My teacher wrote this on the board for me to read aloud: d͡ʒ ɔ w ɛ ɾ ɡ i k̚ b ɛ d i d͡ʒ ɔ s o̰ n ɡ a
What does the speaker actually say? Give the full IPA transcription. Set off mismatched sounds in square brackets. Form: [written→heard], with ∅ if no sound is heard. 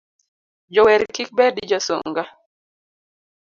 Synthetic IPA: d͡ʒ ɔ w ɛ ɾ [ɡ→k] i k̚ b ɛ d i d͡ʒ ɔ s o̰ [n→ŋ] ɡ a